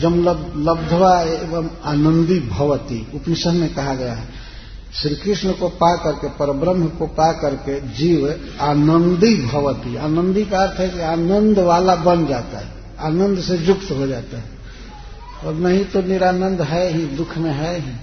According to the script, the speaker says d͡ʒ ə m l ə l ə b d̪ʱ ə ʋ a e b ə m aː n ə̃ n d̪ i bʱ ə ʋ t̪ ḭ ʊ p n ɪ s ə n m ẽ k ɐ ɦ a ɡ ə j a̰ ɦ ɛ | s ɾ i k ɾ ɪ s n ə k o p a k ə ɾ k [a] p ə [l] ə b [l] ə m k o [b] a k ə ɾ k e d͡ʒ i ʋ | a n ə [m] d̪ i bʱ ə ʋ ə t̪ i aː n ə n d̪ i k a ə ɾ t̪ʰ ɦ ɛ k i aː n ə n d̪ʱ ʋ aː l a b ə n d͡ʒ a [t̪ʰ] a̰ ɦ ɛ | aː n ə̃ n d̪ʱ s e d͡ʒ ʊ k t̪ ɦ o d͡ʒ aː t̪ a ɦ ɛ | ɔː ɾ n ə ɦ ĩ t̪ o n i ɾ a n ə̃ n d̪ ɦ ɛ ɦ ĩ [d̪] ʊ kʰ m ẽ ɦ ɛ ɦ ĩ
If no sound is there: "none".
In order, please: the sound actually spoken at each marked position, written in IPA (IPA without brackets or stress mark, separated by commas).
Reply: e, ɾ, ɾ, p, n, t̪, d̪